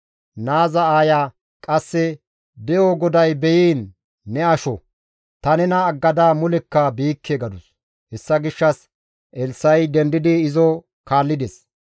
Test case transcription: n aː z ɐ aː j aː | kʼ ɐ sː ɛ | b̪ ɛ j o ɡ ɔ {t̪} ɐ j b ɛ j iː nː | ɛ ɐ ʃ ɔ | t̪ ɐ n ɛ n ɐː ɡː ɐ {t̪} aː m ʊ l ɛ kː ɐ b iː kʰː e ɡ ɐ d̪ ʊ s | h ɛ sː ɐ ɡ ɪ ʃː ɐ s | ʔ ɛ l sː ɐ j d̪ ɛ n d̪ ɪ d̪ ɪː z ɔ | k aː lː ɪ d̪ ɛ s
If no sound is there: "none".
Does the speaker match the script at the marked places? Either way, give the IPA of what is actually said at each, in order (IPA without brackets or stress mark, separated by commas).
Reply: d̪, d̪